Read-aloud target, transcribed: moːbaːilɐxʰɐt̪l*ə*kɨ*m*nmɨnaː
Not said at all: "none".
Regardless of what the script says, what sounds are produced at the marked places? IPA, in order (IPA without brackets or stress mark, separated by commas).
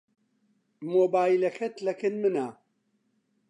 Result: ɐ, none